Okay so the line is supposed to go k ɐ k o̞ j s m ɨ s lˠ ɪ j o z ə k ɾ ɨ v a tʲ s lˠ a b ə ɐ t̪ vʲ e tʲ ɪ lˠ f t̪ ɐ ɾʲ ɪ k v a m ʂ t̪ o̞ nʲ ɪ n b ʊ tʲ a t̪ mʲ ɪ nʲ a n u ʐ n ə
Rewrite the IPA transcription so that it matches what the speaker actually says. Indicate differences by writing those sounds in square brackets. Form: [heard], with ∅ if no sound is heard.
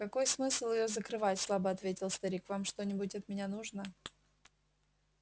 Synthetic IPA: k ɐ k o̞ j s m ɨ s lˠ ɪ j o z ə k ɾ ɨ v a tʲ s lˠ a b ə ɐ t̪ vʲ e tʲ ɪ lˠ [s] t̪ ɐ ɾʲ [i] k v a m ʂ t̪ o̞ nʲ ɪ [∅] b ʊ tʲ [ɐ] t̪ mʲ ɪ nʲ a n u ʐ n ə

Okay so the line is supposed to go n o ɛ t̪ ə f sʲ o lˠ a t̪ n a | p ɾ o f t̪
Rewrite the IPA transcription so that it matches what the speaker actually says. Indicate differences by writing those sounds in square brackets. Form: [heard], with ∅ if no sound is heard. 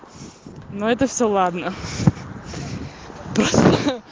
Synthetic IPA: n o ɛ t̪ ə f sʲ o lˠ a [d̪] n [ə] | p ɾ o [s] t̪

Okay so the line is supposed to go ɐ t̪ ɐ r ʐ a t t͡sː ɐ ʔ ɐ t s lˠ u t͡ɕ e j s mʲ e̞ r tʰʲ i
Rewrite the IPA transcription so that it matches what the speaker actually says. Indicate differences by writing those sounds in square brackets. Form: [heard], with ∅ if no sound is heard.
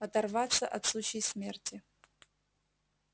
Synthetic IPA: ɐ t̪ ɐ r [v] a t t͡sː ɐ ʔ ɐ t s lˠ u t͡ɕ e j s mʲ e̞ r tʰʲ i

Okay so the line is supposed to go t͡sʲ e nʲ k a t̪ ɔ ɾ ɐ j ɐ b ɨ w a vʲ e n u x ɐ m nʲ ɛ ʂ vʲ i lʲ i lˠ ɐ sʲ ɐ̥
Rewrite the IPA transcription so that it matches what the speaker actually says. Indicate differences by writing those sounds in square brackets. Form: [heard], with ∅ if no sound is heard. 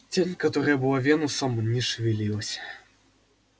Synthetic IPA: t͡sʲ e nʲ k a t̪ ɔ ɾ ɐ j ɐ b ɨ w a vʲ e n u [s] ɐ m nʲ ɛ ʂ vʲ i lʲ i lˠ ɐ sʲ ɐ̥

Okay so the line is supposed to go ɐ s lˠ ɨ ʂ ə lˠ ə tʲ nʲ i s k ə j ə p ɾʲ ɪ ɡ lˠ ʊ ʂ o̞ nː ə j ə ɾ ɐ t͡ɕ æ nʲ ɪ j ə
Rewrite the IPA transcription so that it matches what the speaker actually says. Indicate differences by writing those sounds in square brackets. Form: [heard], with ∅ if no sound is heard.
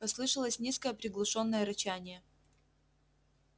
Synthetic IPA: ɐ s lˠ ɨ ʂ ə lˠ ə [sʲ] nʲ i s k ə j ə p ɾʲ ɪ ɡ lˠ ʊ ʂ o̞ nː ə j ə ɾ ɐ t͡ɕ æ nʲ ɪ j ə

